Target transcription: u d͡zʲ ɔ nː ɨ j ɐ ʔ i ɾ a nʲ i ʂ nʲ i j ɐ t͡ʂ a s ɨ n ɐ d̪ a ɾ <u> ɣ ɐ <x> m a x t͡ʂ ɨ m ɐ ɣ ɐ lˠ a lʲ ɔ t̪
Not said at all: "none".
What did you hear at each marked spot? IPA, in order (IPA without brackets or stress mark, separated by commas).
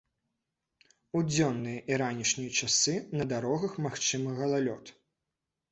ɔ, x